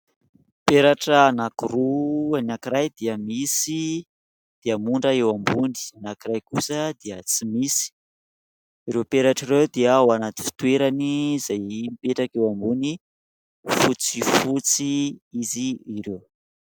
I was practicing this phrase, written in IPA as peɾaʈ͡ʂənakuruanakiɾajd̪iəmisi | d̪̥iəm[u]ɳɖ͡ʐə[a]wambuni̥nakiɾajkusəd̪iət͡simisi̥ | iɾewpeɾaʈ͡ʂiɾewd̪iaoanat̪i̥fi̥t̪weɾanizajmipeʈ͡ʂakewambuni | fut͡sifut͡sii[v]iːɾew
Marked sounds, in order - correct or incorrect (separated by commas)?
correct, incorrect, incorrect